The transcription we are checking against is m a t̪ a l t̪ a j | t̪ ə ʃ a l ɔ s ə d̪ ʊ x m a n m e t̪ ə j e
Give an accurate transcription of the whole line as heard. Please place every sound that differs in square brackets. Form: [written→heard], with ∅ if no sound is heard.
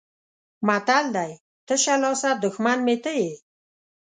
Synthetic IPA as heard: m a t̪ a l [t̪→d̪] a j | t̪ ə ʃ a l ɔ s [ə→a] d̪ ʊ x m a n m e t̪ ə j e